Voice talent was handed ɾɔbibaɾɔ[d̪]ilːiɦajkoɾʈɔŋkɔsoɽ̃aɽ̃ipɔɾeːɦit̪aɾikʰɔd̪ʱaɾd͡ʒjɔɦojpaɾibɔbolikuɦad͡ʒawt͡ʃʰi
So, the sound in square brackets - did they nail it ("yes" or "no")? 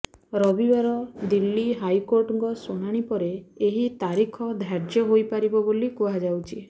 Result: yes